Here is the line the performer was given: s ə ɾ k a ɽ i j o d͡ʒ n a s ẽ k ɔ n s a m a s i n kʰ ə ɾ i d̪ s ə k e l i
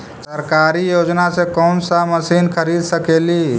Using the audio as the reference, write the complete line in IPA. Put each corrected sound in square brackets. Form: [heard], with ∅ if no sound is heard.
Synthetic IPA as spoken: s ə ɾ k a [ɾ] i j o d͡ʒ n a s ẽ k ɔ n s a m [ə] s i n kʰ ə ɾ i d̪ s ə k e l i